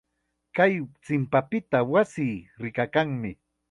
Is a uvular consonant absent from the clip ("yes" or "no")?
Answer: yes